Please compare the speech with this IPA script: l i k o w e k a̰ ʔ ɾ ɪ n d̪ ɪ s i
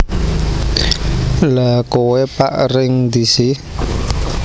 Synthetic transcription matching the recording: l a k o w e p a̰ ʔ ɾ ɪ ŋ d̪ i s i